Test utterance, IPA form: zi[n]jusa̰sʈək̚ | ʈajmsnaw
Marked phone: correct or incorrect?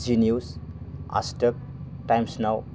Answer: correct